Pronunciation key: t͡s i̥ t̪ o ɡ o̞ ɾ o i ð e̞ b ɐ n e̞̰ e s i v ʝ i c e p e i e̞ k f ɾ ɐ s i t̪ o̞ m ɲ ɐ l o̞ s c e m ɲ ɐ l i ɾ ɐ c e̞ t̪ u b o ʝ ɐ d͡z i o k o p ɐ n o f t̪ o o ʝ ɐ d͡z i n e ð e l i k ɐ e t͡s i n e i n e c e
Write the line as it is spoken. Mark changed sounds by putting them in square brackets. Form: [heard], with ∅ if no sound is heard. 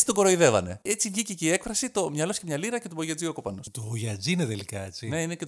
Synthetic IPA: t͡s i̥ t̪ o ɡ o̞ ɾ o i ð e̞ [v] ɐ n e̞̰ e [t͡s] i v ʝ i c e [c] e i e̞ k f ɾ ɐ s i t̪ o̞ m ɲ ɐ l o̞ s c e m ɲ ɐ l i ɾ ɐ c e̞ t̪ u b o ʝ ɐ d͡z i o k o p ɐ n o [s] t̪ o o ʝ ɐ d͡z i n e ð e l i k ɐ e t͡s i n e i n e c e